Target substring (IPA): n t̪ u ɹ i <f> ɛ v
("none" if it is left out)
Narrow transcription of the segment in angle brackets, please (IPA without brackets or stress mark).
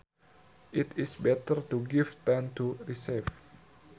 s